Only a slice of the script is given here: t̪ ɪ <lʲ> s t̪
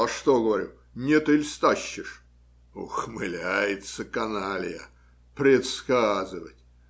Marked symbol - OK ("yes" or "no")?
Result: yes